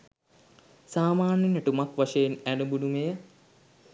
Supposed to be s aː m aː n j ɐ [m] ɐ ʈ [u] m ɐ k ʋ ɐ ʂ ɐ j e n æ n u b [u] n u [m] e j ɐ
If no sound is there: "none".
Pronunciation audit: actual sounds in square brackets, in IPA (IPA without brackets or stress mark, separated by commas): n, u, u, m